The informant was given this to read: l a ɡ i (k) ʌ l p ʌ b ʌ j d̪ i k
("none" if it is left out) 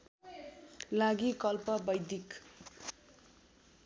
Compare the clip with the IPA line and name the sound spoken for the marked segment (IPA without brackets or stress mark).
k